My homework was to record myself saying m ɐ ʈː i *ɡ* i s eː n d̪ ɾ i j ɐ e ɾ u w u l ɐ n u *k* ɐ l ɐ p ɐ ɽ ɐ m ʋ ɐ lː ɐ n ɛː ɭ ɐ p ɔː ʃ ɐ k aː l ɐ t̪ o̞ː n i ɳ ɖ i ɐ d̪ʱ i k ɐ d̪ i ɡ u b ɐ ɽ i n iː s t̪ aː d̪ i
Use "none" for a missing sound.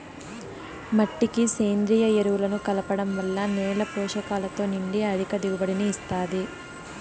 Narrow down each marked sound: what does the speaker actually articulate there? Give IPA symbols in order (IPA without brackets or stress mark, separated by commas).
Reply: k, k